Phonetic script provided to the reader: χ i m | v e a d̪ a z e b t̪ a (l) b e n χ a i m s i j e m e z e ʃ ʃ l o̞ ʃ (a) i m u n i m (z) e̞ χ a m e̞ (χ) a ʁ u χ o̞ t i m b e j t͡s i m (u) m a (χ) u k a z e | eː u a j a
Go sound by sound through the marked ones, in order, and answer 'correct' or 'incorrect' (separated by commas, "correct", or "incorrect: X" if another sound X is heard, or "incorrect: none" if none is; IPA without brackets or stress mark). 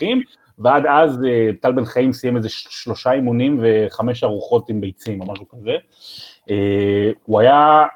correct, correct, incorrect: v, incorrect: ʃ, incorrect: o, incorrect: ʃ